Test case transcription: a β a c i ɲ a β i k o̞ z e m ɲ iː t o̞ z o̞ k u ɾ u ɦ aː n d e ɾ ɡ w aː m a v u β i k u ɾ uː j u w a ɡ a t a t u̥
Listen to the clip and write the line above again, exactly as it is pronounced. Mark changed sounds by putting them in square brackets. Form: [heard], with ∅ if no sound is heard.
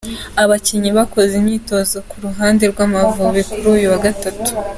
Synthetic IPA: a β a c i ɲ [i] β [a] k o̞ z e m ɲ iː t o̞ z o̞ k u ɾ u ɦ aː n d e ɾ ɡ w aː m a v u β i k u ɾ uː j u w a ɡ a t a t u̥